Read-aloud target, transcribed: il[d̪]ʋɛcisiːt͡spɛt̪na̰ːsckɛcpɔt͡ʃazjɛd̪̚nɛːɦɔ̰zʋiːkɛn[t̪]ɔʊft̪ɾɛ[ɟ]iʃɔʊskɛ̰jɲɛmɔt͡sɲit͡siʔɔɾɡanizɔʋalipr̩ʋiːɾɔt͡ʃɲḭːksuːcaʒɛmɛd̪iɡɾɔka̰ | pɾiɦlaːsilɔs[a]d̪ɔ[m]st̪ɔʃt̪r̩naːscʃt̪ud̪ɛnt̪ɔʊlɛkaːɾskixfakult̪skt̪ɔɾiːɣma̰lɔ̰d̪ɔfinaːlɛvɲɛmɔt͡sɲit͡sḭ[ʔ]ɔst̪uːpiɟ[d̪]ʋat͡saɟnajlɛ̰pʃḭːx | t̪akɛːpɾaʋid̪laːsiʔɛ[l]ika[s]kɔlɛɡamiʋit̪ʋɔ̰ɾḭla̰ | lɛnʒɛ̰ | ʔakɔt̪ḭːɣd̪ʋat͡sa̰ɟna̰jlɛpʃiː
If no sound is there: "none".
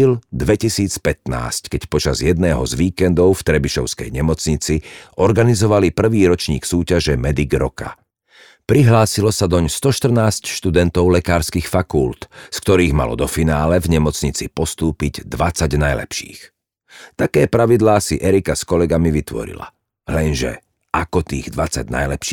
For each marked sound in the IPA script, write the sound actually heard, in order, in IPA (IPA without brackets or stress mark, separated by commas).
d̪, d̪, b, a, ɲ, p, d̪, ɾ, s